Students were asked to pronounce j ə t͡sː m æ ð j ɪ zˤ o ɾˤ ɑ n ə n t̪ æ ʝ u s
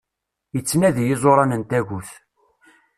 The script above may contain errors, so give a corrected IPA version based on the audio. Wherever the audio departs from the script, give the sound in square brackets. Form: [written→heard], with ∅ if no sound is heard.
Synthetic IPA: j ə t͡sː [m→n] æ ð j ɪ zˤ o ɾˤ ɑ n ə n t̪ æ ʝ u [s→θ]